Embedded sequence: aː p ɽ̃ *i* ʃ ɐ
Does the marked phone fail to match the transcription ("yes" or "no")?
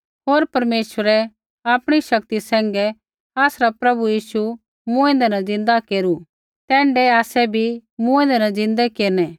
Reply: no